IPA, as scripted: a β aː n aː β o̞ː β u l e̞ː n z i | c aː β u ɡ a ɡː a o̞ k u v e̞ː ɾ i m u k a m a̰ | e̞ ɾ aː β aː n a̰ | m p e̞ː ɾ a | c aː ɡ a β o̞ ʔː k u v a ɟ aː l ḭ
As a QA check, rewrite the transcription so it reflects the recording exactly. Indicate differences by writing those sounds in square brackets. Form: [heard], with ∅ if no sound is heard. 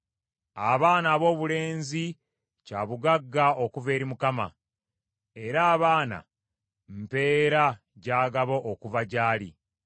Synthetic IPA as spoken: a β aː n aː β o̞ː β u l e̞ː n z i | c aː β u ɡ a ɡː a o̞ k u v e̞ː ɾ i m u k a m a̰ | e̞ ɾ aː β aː n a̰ | m p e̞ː ɾ a | [ɟ] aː ɡ a β o̞ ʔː k u v a ɟ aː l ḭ